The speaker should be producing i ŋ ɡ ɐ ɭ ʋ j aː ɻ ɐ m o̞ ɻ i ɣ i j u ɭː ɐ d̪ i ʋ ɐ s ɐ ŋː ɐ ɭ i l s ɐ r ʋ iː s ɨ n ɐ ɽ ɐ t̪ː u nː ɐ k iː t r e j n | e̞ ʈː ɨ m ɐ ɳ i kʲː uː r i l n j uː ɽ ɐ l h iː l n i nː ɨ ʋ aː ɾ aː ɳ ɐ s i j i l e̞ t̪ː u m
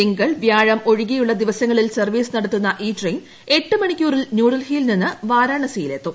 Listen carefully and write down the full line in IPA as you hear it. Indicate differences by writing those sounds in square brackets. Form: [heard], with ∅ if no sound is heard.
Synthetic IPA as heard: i ŋ ɡ ɐ ɭ ʋ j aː ɻ ɐ m o̞ ɻ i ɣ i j u ɭː ɐ d̪ i ʋ ɐ s ɐ ŋː ɐ ɭ i l s ɐ r ʋ iː s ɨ n ɐ ɽ ɐ t̪ː u nː ɐ [ʔ] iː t r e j n | e̞ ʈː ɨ m ɐ ɳ i kʲː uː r i l n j uː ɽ ɐ l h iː l n i nː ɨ ʋ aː ɾ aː ɳ ɐ s i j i l e̞ t̪ː u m